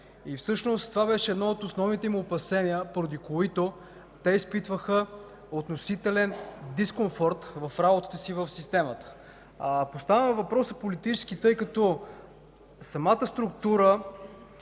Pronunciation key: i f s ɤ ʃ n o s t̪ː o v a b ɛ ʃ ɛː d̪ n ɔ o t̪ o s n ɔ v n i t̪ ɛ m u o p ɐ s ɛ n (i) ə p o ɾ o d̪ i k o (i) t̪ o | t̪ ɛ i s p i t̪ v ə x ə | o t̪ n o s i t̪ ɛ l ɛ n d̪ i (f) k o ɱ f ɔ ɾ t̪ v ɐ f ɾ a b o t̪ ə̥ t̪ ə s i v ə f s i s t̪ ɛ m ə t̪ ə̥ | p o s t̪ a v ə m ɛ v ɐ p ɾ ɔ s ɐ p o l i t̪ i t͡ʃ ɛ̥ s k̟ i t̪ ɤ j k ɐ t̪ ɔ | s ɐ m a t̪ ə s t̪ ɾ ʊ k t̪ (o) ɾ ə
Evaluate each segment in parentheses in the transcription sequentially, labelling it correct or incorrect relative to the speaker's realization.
correct, correct, incorrect: s, incorrect: u

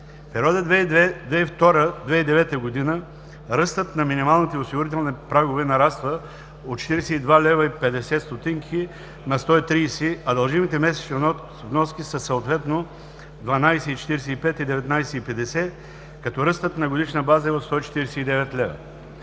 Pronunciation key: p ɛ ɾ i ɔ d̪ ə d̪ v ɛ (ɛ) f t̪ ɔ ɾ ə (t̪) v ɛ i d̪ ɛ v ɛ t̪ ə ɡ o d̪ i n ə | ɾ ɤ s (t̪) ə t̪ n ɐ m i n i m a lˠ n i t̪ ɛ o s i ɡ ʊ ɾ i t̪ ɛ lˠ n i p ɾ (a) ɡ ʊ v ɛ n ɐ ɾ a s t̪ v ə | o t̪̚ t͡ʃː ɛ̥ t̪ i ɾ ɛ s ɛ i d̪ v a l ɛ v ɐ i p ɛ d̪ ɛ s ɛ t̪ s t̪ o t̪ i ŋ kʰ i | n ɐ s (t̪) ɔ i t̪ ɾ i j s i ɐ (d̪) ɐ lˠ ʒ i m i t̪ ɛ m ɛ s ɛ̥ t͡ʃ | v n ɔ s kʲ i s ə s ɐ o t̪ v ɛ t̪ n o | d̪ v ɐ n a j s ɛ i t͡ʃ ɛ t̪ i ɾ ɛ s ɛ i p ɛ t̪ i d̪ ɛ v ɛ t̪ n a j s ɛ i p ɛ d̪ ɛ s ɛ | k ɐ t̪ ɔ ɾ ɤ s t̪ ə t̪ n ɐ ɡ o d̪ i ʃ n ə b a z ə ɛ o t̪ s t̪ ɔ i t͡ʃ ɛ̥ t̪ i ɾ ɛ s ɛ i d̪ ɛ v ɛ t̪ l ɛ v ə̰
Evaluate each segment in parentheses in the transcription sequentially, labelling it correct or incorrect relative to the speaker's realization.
incorrect: i, incorrect: d̪, correct, correct, correct, correct

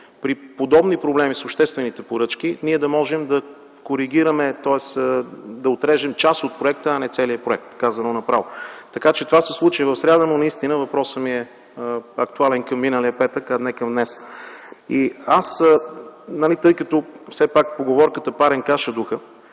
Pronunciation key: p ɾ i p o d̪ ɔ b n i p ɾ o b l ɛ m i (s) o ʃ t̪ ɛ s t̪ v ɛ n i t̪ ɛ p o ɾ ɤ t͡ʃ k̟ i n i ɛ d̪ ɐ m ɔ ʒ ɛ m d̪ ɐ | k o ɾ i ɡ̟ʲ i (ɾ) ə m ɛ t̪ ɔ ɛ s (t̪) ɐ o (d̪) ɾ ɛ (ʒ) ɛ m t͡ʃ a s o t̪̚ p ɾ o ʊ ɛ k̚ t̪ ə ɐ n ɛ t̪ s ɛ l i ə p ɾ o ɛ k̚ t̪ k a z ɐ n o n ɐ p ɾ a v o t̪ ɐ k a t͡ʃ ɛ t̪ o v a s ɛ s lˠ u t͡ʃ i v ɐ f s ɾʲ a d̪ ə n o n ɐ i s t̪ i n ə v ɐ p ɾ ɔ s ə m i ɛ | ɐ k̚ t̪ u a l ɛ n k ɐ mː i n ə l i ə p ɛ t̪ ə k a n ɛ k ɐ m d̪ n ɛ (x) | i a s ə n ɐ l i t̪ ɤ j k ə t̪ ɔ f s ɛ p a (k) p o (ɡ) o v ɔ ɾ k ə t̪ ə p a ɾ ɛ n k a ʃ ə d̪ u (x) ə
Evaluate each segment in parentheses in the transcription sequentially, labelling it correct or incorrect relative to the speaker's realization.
correct, correct, incorrect: d̪, incorrect: t̪, correct, incorrect: s, correct, correct, correct

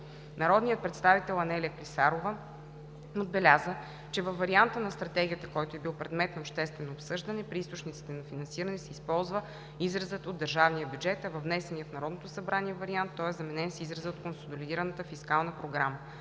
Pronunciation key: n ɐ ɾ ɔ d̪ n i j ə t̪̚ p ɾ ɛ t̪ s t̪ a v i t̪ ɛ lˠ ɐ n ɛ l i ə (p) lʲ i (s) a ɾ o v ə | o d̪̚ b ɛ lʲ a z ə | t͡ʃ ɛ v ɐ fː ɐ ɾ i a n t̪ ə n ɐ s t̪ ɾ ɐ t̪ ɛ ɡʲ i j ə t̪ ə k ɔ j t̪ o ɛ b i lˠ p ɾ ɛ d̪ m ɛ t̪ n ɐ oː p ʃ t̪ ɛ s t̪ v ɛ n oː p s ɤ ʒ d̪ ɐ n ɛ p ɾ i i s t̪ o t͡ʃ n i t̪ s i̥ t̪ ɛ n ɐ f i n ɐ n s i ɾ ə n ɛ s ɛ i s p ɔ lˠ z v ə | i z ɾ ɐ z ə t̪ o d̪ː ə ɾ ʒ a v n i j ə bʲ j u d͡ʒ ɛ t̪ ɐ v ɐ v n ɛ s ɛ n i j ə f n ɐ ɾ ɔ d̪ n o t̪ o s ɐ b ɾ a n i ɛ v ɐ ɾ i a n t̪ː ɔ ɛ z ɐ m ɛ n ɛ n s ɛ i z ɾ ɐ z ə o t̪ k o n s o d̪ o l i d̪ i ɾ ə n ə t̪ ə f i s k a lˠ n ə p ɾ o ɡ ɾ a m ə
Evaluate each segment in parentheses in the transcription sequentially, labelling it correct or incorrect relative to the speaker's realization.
incorrect: k, correct

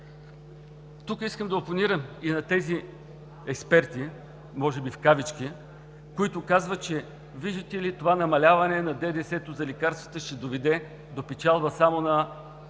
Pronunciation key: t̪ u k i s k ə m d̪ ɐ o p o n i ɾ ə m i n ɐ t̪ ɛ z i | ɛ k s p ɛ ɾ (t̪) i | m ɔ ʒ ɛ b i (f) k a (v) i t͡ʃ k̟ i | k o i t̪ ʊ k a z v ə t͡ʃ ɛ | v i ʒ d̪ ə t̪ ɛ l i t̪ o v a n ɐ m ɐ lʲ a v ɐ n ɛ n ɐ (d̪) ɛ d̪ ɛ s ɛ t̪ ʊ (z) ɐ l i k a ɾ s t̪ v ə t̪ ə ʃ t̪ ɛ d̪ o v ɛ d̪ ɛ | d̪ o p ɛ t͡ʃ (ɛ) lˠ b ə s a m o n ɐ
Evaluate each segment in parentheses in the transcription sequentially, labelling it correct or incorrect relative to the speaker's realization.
correct, correct, correct, correct, correct, incorrect: a

